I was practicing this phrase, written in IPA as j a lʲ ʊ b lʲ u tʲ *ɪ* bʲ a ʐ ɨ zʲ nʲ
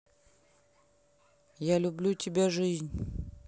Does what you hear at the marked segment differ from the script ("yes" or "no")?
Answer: no